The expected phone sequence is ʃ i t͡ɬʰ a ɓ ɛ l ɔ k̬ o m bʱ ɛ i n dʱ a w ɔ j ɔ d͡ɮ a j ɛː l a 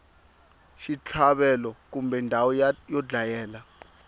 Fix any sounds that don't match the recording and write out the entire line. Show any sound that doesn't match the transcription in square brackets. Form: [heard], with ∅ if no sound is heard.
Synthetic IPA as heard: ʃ i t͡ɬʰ a ɓ ɛ l ɔ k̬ [u] m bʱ ɛ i n dʱ a w ɔ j ɔ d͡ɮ a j ɛː l a